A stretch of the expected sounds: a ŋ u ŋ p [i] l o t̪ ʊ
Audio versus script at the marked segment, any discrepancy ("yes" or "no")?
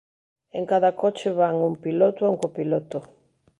no